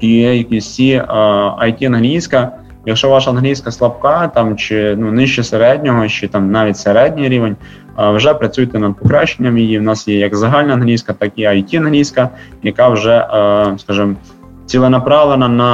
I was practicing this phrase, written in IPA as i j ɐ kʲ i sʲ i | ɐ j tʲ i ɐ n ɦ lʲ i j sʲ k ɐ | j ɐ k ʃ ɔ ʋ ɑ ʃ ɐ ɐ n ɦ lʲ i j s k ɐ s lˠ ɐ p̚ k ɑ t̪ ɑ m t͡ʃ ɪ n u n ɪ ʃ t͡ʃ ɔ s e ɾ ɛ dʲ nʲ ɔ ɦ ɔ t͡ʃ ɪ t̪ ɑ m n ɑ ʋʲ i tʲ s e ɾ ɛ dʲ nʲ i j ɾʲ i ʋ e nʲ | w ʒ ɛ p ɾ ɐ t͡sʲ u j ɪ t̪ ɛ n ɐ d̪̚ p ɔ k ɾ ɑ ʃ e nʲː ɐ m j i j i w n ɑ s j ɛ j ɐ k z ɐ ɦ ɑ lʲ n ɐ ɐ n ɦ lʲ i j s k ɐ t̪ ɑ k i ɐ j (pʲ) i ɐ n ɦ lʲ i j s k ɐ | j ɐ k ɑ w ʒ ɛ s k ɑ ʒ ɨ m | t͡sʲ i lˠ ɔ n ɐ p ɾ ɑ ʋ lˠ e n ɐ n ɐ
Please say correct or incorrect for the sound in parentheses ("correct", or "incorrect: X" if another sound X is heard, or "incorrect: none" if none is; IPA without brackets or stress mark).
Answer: incorrect: tʲ